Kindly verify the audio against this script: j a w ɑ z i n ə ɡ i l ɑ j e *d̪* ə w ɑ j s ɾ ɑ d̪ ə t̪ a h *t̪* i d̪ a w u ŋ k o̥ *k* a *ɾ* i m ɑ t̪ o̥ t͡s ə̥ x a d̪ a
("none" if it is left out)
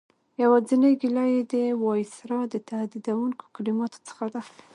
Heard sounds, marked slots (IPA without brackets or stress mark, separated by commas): d̪, d̪, k, l